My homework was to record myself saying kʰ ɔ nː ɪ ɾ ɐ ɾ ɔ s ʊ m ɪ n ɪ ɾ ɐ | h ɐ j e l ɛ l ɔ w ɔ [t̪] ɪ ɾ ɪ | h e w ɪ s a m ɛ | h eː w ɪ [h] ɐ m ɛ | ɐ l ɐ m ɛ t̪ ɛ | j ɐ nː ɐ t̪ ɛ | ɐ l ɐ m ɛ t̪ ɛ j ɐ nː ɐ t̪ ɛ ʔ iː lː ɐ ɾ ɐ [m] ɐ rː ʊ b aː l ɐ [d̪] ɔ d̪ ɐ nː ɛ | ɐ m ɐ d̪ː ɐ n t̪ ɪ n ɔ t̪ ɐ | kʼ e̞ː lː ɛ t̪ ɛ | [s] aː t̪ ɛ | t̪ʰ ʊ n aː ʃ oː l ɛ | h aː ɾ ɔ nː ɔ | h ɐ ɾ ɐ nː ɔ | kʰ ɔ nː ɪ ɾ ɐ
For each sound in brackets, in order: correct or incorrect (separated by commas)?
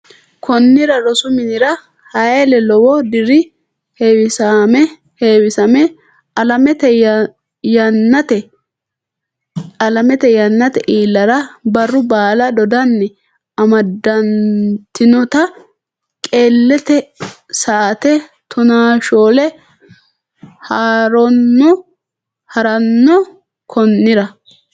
incorrect, incorrect, incorrect, correct, correct